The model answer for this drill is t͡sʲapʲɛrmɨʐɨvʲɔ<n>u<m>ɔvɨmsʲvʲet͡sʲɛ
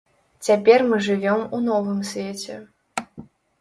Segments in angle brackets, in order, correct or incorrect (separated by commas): incorrect, incorrect